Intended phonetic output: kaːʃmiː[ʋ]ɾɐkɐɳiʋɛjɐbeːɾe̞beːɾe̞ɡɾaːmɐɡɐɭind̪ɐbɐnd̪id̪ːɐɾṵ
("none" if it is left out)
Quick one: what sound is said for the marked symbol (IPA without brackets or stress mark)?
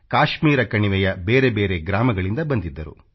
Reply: none